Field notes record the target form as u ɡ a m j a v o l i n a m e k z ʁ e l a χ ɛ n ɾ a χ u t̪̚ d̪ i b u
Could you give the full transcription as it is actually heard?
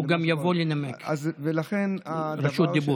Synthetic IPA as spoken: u ɡ a m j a v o l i n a m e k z v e l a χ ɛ n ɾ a ʃ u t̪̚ d̪ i b u